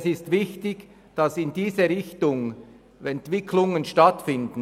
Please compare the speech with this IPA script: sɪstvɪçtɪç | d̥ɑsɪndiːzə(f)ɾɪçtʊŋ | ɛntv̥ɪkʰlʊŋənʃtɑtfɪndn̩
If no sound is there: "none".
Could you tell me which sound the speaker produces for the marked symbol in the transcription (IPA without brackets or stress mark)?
none